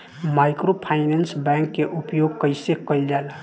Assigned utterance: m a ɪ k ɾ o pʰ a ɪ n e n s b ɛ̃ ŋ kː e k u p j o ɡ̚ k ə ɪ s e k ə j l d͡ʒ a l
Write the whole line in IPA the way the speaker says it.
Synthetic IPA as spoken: m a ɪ k ɾ o pʰ a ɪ n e n s b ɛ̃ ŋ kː e ʔ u p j o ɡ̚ k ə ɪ s e k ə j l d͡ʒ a l